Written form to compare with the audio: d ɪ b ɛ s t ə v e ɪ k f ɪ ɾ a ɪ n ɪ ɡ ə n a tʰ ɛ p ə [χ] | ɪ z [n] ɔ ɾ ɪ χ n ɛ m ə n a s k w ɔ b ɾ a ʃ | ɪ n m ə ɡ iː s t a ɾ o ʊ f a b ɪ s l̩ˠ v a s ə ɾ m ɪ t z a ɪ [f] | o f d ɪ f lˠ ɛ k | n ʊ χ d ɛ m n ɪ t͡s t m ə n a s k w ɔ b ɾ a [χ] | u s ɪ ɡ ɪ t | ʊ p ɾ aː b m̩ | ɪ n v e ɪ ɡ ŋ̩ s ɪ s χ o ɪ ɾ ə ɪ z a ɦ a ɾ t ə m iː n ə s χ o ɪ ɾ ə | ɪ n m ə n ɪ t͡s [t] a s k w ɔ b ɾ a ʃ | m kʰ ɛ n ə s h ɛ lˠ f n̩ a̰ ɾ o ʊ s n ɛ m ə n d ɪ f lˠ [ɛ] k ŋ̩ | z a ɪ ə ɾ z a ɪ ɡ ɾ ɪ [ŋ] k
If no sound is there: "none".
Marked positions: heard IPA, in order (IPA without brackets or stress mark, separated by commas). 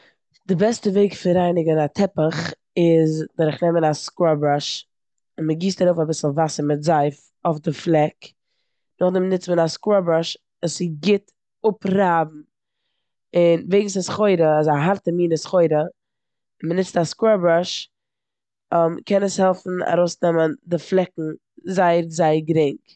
χ, d, f, ʃ, t, ɛ, ŋ